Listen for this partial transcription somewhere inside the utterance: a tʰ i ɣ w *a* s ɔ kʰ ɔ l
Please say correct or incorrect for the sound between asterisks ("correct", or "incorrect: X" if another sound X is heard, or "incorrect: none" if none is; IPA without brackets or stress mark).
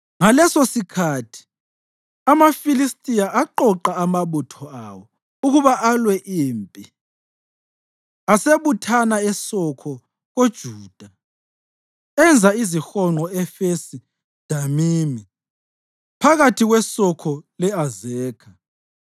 incorrect: ɛ